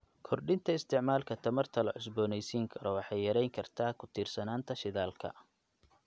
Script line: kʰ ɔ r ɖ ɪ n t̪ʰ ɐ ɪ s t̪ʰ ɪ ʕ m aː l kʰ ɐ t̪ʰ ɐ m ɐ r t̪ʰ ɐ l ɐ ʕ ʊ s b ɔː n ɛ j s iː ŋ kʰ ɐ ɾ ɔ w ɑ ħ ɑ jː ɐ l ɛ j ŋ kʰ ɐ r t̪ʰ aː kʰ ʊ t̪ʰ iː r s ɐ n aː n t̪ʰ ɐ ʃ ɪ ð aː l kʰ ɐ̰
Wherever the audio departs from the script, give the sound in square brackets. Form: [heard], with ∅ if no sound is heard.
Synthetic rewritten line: kʰ ɔ r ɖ ɪ n t̪ʰ ɐ ɪ s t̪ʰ ɪ ʕ m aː l kʰ ɐ t̪ʰ ɐ m ɐ r t̪ʰ ɐ l ɐ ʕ ʊ s b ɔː n ɛ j s iː ŋ kʰ ɐ ɾ ɔ w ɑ ħ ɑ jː ɐ [ɾ] ɛ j ŋ kʰ ɐ r t̪ʰ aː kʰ ʊ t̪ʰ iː r s ɐ n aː n t̪ʰ ɐ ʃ ɪ ð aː l kʰ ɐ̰